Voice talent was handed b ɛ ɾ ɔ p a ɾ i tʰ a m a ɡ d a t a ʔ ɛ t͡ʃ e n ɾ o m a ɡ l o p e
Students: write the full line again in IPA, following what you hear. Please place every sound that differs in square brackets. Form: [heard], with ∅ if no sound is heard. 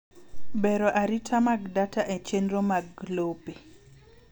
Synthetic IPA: b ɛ ɾ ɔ [ʔ] a ɾ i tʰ a m a ɡ d a t a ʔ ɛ t͡ʃ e n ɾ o m a ɡ l o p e